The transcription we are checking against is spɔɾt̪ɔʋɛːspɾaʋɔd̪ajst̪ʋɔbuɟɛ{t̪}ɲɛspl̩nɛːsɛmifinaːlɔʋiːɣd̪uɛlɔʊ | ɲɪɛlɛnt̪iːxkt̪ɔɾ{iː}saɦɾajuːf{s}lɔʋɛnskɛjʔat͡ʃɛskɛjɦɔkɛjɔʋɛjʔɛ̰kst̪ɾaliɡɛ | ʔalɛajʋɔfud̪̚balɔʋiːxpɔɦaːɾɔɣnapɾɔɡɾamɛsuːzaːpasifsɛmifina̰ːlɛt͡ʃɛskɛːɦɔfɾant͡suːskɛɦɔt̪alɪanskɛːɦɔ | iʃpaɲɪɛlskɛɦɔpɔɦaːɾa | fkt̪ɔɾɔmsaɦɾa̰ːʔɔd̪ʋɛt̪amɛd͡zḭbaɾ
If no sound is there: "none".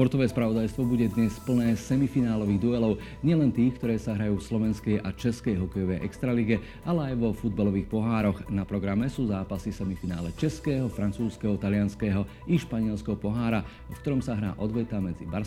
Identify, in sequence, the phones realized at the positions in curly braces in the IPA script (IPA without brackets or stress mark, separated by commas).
d̪, ɛː, s